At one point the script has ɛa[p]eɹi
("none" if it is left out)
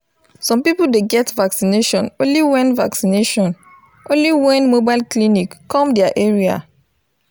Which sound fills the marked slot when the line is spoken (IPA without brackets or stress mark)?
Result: ʔ